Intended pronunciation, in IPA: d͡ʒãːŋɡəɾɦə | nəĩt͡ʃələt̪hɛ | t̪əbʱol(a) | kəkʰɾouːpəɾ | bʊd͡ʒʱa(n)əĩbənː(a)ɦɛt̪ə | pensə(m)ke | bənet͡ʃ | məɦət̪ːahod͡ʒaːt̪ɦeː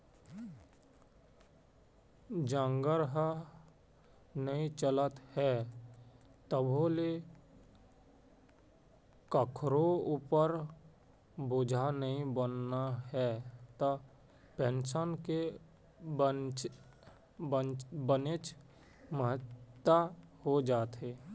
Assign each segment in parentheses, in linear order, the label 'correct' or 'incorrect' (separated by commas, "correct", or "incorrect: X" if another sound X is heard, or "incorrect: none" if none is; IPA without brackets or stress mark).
incorrect: e, correct, correct, incorrect: n